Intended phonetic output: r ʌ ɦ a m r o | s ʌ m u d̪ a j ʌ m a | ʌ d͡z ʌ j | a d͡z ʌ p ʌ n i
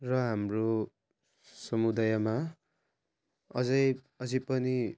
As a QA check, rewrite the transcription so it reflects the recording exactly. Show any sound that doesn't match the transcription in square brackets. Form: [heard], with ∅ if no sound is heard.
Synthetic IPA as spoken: r ʌ ɦ a m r o | s ʌ m u d̪ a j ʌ m a | ʌ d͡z ʌ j | [ʌ] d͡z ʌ p ʌ n i